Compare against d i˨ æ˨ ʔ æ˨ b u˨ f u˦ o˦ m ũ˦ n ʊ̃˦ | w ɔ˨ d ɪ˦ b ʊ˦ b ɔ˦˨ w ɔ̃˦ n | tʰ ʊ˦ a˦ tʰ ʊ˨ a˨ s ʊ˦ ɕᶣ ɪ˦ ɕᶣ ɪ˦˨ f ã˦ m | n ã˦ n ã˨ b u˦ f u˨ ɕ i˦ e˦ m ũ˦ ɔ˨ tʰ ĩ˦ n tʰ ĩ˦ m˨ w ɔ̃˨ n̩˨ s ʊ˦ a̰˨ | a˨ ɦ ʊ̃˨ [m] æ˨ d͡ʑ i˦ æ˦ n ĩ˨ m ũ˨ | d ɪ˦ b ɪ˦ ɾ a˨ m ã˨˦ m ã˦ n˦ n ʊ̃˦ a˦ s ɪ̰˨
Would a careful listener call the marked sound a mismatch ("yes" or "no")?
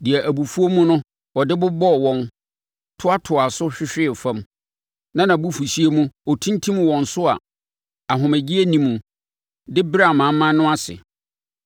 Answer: no